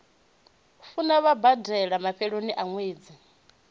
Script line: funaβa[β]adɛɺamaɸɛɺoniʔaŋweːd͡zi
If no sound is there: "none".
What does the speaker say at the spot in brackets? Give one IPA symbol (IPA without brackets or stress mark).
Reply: b